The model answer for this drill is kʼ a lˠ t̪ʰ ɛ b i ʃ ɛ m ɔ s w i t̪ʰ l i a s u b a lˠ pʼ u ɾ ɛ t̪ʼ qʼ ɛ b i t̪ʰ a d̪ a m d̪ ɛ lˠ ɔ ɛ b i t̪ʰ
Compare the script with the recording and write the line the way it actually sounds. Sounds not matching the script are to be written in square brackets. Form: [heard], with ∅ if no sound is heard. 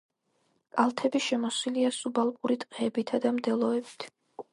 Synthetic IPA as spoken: kʼ a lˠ t̪ʰ ɛ b i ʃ ɛ m ɔ s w i [∅] l i a s u b a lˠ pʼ u ɾ [i] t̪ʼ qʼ ɛ b i t̪ʰ a d̪ a m d̪ ɛ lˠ ɔ ɛ b i t̪ʰ